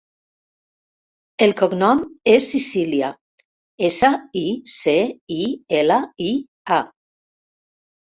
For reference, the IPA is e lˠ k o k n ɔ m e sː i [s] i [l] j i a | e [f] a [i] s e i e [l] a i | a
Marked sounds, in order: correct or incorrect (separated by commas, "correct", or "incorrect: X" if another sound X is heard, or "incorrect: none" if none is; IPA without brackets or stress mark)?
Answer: correct, correct, incorrect: s, correct, correct